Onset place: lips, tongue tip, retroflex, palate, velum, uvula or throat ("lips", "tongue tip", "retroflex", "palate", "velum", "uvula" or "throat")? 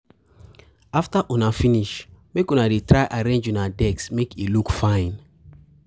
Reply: lips